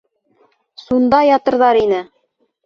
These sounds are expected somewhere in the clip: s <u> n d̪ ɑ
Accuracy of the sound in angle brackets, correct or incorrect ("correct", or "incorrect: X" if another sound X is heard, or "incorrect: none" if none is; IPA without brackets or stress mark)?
correct